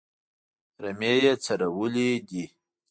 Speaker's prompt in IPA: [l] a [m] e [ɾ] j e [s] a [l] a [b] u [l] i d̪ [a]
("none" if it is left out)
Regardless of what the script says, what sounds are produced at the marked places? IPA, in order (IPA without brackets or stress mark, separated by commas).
ɾ, m, none, t͡s, ɾ, w, l, i